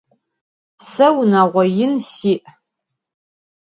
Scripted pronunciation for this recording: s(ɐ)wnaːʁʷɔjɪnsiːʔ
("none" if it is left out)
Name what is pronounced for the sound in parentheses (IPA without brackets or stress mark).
ɐ